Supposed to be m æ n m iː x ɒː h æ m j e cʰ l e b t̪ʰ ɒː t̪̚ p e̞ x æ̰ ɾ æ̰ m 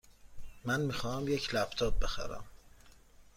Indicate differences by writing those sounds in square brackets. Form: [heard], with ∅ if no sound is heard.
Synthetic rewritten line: m æ n m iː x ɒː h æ m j e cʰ l [æ] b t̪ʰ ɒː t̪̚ [b] e̞ x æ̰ ɾ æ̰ m